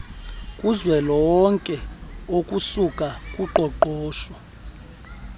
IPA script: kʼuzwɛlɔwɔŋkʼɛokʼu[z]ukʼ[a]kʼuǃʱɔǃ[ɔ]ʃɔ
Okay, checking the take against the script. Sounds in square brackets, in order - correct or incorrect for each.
incorrect: s, correct, incorrect: ɔː

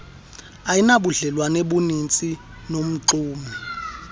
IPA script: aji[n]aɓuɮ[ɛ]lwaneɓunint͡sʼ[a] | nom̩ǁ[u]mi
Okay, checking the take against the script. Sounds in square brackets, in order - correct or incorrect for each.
correct, correct, incorrect: i, incorrect: uː

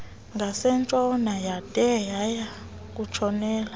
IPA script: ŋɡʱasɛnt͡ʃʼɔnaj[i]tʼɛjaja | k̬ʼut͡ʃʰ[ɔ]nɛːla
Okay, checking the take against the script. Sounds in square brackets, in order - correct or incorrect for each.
incorrect: a, correct

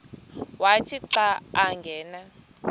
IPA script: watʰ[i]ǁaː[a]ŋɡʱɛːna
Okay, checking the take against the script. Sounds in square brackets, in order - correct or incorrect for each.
correct, correct

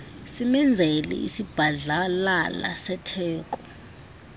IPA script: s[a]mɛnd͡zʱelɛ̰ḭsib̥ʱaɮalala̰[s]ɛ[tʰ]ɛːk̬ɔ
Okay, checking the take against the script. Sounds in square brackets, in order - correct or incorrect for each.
incorrect: i, correct, correct

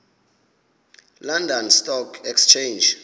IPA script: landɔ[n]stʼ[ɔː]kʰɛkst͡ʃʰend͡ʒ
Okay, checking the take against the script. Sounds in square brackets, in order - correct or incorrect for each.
correct, incorrect: ɔ

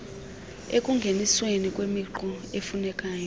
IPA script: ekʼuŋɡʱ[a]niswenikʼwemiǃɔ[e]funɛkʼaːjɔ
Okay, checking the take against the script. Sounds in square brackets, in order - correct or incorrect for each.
incorrect: e, correct

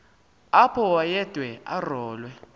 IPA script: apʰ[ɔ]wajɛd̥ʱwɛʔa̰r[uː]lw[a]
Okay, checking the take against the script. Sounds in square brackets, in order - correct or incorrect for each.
correct, incorrect: ɔː, incorrect: ɛ

